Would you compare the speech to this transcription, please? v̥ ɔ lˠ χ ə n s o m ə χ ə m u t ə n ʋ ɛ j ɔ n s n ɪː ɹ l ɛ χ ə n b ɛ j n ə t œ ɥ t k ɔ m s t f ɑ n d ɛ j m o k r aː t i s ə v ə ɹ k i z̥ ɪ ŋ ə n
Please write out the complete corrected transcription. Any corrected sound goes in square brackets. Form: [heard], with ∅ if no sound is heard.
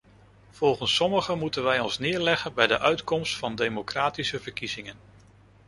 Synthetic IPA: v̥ ɔ lˠ χ ə n s [ɔ] m ə χ ə m u t ə n ʋ ɛ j ɔ n s n ɪː ɹ l ɛ χ ə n b ɛ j [d] ə [ʔ] œ ɥ t k ɔ m s t f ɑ n d [e] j m o k r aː t i s ə v ə ɹ k i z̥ ɪ ŋ ə n

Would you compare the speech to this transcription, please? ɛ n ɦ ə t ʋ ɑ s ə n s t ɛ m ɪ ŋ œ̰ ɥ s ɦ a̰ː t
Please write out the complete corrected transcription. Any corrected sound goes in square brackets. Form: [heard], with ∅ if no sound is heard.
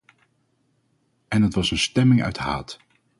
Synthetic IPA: ɛ n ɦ ə t ʋ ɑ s ə n s t ɛ m ɪ ŋ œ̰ ɥ [t] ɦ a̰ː t

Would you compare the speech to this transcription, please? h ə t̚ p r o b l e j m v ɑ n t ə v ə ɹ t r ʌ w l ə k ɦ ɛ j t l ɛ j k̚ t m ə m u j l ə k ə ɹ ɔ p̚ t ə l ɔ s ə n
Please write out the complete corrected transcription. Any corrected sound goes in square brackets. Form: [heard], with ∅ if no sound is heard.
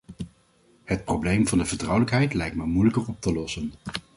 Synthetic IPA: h ə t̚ p r o b l e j m v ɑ n [d] ə v ə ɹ t r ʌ w l ə k ɦ ɛ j t l ɛ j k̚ t m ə m u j l ə k ə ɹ ɔ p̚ t ə l ɔ s ə n

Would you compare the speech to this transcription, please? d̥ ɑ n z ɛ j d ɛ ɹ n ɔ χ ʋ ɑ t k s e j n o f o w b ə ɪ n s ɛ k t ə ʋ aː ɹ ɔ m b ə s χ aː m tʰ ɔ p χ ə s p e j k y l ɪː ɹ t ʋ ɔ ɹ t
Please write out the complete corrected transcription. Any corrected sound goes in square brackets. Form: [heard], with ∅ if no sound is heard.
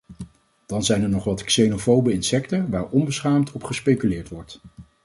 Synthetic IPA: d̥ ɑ n z ɛ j [n] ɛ ɹ n ɔ χ ʋ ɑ t k s e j n o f o w b ə ɪ n s ɛ k t ə ʋ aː ɹ ɔ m b ə s χ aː m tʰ ɔ p χ ə s p e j k y l ɪː ɹ t ʋ ɔ ɹ t

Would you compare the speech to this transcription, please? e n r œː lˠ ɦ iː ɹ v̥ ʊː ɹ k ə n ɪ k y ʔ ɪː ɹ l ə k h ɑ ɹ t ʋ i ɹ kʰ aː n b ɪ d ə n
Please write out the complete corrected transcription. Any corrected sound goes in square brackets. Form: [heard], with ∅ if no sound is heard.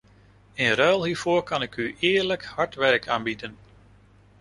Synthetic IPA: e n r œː lˠ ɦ iː ɹ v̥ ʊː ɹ k [ɑ] n ɪ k y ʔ ɪː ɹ l ə k h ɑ ɹ t ʋ [ɛ] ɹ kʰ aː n b [i] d ə n

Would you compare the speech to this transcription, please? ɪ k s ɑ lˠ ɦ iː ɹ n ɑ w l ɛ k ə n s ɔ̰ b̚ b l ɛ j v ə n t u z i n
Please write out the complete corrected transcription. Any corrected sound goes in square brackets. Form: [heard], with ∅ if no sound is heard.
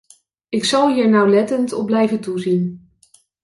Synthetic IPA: ɪ k s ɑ lˠ ɦ iː ɹ n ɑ w l ɛ [t] ə n [t] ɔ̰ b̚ b l ɛ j v ə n t u z i n

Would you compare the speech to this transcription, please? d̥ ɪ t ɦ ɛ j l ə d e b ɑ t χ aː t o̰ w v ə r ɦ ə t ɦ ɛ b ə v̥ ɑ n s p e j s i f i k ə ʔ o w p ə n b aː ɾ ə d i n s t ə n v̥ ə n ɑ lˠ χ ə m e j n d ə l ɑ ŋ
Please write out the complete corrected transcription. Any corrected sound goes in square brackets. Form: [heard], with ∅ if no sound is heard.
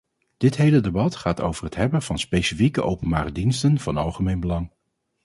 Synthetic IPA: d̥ ɪ t ɦ [e] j l ə d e b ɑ t χ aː t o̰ w v ə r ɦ ə t ɦ ɛ b ə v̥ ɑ n s p e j s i f i k ə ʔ o w p ə n b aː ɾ ə d i n s t ə n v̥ [ɑ] n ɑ lˠ χ ə m e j n [b] ə l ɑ ŋ

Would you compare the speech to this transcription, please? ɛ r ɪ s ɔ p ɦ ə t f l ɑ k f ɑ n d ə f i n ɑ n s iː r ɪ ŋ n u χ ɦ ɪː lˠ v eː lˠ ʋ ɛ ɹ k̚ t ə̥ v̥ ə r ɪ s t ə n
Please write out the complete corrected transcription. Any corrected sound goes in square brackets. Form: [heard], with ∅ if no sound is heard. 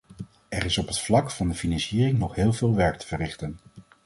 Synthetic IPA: ɛ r ɪ s ɔ p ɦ ə t f l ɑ k f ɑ n d ə f i n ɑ n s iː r ɪ ŋ n [ɔ] χ ɦ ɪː lˠ v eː lˠ ʋ ɛ ɹ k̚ t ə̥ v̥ ə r ɪ [χ] t ə n

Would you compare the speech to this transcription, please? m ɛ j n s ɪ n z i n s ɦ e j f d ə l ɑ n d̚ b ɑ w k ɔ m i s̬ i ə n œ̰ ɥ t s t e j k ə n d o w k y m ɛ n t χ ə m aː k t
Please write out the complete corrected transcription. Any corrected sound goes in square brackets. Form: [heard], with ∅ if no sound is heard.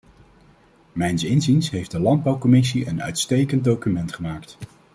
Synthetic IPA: m ɛ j n s ɪ n z i n s ɦ e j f d ə l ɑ n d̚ b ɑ w k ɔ m [ɪ] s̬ i ə n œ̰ ɥ t s t e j k ə n d o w k y m ɛ n t χ ə m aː k t

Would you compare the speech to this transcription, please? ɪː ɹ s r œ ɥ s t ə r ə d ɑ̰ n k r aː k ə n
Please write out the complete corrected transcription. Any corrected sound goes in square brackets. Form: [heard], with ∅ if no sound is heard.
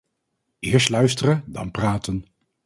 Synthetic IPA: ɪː ɹ s [l] œ ɥ s t ə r ə d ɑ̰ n [p] r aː [t] ə n

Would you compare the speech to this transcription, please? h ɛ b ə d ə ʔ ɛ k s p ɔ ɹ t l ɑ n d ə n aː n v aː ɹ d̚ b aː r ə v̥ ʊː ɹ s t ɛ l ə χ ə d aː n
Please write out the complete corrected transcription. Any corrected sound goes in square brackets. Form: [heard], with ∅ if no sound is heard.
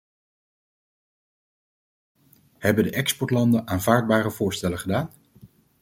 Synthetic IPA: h ɛ b ə d ə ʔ ɛ k s p ɔ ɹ t l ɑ n d ə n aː n v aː ɹ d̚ b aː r ə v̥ ʊː ɹ s t ɛ l ə χ ə d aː n

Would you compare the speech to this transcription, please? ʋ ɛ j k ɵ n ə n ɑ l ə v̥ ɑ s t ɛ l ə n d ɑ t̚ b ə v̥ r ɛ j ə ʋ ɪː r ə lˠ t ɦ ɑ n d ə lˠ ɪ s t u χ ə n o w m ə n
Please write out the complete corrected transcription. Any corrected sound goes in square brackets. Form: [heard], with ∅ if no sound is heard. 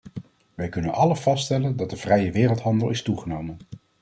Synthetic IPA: ʋ ɛ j k ɵ n ə n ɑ l ə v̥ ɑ s t ɛ l ə n d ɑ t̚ [d] ə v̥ r ɛ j ə ʋ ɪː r ə lˠ t ɦ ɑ n d ə lˠ ɪ s t u χ ə n o w m ə n

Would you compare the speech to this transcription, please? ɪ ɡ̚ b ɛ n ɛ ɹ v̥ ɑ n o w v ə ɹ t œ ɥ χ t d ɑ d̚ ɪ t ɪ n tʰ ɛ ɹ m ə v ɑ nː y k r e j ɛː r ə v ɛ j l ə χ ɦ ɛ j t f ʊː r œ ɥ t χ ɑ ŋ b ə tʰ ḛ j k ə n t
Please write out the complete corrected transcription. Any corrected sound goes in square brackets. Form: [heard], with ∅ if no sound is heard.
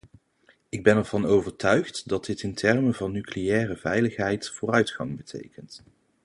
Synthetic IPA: ɪ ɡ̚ b ɛ n ɛ ɹ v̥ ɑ n o w v ə ɹ t œ ɥ χ t d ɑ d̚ ɪ t ɪ n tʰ ɛ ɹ m ə v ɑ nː y k [l] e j ɛː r ə v ɛ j l ə χ ɦ ɛ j t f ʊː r œ ɥ t χ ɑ ŋ b ə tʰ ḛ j k ə n t

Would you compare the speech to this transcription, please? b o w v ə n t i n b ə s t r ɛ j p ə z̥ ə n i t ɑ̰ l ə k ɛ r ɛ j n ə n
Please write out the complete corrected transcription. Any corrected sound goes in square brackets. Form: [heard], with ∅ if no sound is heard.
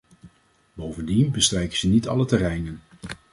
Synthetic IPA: b o w v ə n [d] i n b ə s t r ɛ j [k] ə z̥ ə n i t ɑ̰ l ə [t] ɛ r ɛ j n ə n

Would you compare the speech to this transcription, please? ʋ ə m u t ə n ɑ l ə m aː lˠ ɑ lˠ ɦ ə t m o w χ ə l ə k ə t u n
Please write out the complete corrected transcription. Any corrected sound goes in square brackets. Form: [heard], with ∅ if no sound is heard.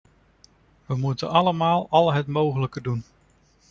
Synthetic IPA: ʋ ə m u t ə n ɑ l ə m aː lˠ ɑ lˠ ɦ ə t m o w χ ə l ə k ə [d] u n

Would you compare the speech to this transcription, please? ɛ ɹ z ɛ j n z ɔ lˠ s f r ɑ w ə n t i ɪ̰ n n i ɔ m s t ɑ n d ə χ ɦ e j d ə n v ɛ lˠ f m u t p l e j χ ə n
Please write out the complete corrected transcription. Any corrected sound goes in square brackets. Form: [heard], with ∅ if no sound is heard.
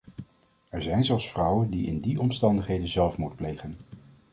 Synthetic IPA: ɛ ɹ z ɛ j n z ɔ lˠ s f r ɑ w ə n [d] i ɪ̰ n [d] i ɔ m s t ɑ n d ə χ ɦ e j d ə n [z] ɛ lˠ f m u t p l e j χ ə n

